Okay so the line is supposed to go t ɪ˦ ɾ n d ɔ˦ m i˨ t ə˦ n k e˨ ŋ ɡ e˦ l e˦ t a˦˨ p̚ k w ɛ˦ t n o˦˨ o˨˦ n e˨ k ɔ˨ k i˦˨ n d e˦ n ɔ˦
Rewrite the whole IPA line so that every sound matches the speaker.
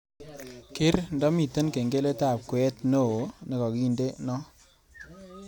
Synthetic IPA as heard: k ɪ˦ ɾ n d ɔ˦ m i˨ t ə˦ n k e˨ ŋ ɡ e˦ l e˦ t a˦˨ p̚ k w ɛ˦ t n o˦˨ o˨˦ n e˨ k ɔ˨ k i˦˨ n d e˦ n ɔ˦